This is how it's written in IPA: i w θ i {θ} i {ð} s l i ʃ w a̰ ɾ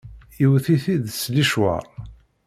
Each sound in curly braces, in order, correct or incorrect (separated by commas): correct, correct